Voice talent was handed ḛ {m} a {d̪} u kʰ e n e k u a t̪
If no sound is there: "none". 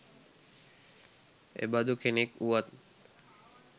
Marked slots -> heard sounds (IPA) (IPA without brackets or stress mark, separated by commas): b, d̪